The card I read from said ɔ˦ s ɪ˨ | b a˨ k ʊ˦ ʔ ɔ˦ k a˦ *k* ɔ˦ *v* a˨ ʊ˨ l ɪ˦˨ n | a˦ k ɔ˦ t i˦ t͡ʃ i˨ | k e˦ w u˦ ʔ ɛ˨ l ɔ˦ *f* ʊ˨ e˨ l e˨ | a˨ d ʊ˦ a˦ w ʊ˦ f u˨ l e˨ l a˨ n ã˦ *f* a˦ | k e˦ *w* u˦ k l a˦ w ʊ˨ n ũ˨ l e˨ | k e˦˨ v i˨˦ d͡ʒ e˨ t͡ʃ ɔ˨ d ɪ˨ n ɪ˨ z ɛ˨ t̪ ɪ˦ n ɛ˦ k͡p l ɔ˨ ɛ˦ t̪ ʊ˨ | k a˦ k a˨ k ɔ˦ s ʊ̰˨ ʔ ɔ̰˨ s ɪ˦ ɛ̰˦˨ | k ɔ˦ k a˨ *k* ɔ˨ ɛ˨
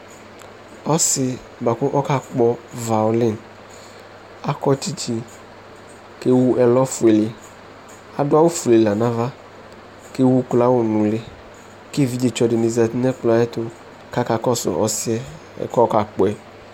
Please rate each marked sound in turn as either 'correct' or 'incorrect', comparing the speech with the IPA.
incorrect: k͡p, correct, correct, incorrect: v, correct, incorrect: k͡p

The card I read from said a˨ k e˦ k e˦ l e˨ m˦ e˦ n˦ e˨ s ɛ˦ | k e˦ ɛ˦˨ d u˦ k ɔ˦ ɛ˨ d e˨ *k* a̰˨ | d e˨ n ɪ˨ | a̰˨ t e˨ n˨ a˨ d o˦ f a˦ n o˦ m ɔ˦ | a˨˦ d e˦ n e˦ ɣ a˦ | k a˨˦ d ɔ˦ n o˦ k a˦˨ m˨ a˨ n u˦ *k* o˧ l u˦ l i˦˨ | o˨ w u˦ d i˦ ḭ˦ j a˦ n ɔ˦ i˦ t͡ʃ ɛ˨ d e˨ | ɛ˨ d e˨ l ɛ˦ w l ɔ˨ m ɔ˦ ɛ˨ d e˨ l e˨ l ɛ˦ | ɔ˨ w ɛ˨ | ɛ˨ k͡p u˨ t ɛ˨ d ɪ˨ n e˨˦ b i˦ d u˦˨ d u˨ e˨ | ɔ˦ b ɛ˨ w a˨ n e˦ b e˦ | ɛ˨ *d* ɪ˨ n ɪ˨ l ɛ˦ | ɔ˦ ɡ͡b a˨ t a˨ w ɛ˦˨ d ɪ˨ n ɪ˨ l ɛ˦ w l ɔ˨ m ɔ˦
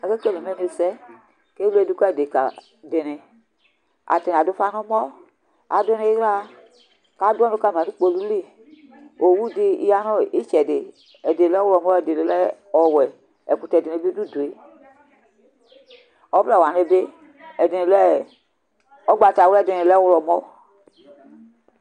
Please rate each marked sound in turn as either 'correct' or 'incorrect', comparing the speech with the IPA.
correct, incorrect: k͡p, correct

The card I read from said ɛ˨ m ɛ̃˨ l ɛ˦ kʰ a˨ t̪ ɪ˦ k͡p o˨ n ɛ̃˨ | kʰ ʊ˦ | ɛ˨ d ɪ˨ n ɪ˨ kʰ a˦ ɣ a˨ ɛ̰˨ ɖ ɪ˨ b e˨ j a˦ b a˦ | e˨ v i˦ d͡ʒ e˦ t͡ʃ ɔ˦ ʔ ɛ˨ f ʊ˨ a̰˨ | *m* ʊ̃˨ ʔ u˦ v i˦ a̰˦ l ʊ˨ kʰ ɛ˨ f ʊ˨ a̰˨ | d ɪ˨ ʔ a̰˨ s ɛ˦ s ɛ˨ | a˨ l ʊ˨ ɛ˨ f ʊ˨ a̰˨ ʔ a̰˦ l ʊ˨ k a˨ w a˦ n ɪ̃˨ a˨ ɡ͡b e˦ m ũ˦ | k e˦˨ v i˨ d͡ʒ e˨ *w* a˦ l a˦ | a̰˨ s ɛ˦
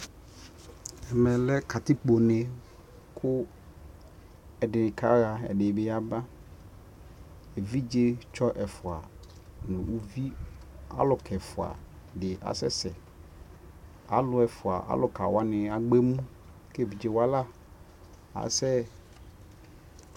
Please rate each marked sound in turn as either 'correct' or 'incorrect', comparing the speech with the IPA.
incorrect: n, correct

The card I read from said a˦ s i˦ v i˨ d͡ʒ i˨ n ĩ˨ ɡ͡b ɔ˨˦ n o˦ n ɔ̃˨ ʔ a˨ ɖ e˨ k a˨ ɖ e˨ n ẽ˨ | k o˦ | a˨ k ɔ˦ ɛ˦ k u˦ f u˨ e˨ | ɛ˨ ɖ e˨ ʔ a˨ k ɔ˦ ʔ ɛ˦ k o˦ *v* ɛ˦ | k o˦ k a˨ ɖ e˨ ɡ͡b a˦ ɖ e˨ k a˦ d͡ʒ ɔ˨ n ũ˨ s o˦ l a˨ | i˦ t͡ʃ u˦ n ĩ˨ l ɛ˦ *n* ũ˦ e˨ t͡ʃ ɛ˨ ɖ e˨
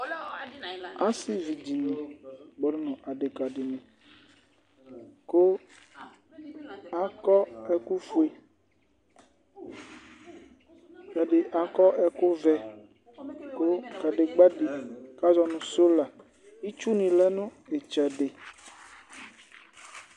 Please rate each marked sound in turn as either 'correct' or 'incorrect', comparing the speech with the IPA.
correct, correct

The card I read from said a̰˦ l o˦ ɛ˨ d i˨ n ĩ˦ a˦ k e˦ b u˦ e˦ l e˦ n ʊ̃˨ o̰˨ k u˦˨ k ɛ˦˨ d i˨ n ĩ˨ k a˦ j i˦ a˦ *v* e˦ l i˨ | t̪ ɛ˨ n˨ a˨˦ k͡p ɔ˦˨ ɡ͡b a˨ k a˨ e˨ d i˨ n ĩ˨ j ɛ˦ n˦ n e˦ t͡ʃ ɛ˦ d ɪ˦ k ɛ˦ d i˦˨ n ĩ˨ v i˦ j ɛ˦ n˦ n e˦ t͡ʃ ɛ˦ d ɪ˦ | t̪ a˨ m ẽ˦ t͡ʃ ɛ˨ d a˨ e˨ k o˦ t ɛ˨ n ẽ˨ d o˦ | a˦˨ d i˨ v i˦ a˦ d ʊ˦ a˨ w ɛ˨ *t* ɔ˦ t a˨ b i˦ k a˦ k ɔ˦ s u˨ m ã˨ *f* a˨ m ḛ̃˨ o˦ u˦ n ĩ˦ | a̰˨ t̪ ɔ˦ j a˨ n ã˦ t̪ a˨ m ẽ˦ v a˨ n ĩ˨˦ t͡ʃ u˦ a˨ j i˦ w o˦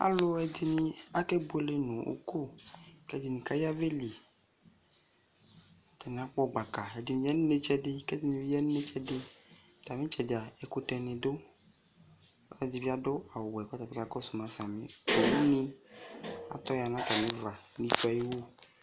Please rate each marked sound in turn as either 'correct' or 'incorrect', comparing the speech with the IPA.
correct, incorrect: k, incorrect: s

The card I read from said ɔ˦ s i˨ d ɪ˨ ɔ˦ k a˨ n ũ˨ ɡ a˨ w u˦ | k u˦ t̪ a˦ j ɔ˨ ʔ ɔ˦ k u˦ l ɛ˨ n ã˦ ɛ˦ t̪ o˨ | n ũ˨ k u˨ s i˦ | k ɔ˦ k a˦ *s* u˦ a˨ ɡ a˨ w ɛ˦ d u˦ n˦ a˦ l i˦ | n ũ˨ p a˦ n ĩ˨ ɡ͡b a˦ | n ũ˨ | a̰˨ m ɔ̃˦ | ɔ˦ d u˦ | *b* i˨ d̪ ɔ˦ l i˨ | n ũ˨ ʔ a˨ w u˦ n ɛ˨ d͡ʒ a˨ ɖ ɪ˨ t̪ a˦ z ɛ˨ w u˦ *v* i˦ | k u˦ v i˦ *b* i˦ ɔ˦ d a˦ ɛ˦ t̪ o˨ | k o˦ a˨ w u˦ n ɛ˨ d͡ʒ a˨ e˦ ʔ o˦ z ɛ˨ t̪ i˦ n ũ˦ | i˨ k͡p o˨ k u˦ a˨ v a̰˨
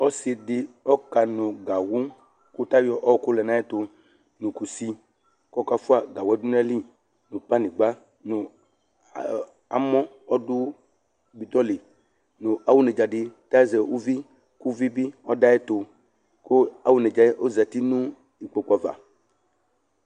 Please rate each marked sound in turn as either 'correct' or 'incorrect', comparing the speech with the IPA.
incorrect: f, correct, correct, correct

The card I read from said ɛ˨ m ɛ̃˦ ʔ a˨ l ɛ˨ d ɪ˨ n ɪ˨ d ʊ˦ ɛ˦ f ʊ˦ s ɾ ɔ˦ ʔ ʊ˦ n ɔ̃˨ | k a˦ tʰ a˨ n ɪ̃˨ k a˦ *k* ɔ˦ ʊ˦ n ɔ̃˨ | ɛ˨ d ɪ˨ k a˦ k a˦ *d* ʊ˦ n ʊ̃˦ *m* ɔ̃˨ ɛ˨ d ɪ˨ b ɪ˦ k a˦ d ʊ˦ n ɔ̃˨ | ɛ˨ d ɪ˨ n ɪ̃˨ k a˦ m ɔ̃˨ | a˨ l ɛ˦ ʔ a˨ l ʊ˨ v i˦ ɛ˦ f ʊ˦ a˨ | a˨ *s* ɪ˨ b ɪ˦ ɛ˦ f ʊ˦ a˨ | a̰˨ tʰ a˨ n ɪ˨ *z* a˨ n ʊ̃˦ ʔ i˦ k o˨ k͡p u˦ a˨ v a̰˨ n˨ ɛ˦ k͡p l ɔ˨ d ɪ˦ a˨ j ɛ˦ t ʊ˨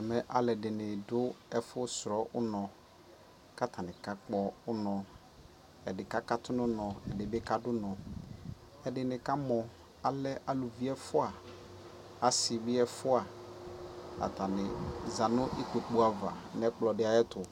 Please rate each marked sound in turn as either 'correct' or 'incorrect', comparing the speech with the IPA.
incorrect: k͡p, incorrect: t, incorrect: n, correct, correct

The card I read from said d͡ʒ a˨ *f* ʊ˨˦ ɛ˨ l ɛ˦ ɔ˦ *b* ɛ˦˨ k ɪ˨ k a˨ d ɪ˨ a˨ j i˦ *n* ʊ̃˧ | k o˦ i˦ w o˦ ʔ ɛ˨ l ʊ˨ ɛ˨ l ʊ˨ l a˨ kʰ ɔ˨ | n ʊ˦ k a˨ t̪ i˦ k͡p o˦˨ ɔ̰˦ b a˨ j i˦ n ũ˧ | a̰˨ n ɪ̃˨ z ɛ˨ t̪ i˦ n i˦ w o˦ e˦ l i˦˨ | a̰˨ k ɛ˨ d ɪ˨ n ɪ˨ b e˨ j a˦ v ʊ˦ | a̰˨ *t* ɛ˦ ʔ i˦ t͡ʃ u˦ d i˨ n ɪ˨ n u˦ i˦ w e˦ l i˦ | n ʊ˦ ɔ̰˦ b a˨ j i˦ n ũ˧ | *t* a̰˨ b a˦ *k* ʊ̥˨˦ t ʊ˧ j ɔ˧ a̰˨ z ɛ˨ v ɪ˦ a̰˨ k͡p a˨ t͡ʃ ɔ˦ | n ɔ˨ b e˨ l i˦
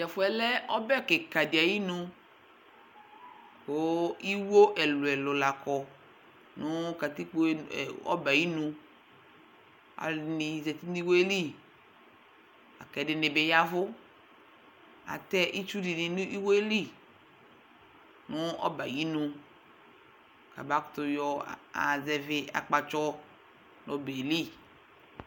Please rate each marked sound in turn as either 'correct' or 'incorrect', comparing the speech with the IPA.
correct, correct, correct, correct, incorrect: k, correct

